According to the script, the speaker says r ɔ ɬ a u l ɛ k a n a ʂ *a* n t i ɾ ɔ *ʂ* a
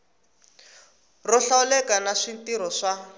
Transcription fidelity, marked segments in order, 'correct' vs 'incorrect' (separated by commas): incorrect, correct